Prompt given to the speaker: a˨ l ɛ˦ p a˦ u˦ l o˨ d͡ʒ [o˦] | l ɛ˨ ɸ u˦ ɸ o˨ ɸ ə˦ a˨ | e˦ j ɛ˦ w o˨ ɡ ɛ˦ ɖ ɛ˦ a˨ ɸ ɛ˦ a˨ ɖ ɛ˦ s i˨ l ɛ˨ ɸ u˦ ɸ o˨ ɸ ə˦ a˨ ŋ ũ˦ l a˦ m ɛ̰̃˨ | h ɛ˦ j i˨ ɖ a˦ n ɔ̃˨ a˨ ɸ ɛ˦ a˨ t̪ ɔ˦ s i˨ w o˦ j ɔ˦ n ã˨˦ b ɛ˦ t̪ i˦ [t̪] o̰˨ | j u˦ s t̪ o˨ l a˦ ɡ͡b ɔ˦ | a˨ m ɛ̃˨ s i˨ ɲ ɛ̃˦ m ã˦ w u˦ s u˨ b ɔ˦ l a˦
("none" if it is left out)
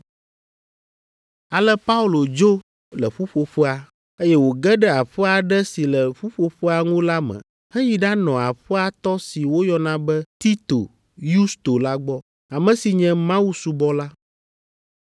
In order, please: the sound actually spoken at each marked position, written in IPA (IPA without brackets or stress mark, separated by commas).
o˦, t̪